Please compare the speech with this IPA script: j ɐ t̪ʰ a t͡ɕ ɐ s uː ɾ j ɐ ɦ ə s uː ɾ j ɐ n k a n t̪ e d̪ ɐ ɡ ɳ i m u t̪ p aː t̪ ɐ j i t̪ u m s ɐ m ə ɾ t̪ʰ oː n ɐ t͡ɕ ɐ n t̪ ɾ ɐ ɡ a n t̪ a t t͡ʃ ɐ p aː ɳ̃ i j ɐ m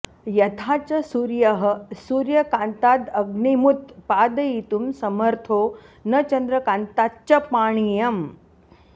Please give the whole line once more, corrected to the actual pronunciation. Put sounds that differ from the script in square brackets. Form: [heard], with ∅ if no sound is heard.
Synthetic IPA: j ɐ t̪ʰ a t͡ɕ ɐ s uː ɾ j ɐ ɦ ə s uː ɾ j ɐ [∅] k a n t̪ [a] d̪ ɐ ɡ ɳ i m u t̪ p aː [d̪] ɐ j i t̪ u m s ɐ m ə ɾ t̪ʰ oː n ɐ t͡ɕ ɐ n [d̪] ɾ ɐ [k] a n t̪ a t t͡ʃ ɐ p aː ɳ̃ i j ɐ m

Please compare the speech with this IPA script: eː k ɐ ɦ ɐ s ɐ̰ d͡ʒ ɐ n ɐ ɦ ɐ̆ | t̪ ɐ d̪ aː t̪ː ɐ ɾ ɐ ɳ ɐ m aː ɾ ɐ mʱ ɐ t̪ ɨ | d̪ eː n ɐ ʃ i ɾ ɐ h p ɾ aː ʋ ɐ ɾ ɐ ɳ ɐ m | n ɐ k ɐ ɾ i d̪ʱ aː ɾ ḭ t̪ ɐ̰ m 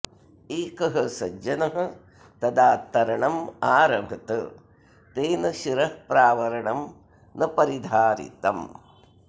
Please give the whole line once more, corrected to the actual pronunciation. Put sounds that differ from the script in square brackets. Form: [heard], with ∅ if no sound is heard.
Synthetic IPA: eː k ɐ ɦ ɐ s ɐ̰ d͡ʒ ɐ n ɐ ɦ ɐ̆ | t̪ ɐ d̪ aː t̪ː ɐ ɾ ɐ ɳ ɐ m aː ɾ ɐ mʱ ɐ t̪ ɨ | [t̪] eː n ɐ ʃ i ɾ ɐ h p ɾ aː ʋ ɐ ɾ ɐ ɳ ɐ m | n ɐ [p] ɐ ɾ i d̪ʱ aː ɾ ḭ t̪ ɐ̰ m

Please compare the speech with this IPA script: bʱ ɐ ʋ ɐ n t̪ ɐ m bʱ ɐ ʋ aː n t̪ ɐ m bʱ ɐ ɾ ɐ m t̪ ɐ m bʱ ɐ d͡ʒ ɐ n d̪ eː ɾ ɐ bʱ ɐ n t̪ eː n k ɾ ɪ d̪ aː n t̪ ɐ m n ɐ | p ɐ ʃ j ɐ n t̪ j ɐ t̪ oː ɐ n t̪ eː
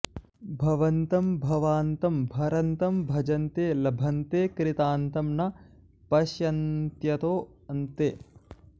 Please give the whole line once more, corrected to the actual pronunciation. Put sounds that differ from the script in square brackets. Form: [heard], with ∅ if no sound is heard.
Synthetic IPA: bʱ ɐ ʋ ɐ n t̪ ɐ m bʱ ɐ ʋ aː n t̪ ɐ m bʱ ɐ ɾ ɐ [n] t̪ ɐ m bʱ ɐ d͡ʒ ɐ n [t̪] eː [l] ɐ bʱ ɐ n t̪ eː [∅] k ɾ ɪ [t̪] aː n t̪ ɐ m n ɐ | p ɐ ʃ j ɐ n t̪ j ɐ t̪ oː ɐ n t̪ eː

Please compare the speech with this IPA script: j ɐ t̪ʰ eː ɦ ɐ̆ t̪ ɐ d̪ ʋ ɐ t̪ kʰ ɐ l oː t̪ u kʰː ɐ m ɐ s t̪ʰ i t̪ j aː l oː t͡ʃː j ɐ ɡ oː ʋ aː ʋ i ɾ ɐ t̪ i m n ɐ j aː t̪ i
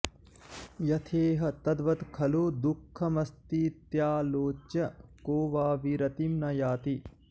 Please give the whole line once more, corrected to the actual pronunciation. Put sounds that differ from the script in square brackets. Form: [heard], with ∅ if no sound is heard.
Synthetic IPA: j ɐ t̪ʰ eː ɦ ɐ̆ t̪ ɐ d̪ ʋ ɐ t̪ kʰ ɐ l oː [d̪] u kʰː ɐ m ɐ s [t̪] i t̪ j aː l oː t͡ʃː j ɐ [k] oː ʋ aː ʋ i ɾ ɐ t̪ i m n ɐ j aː t̪ i

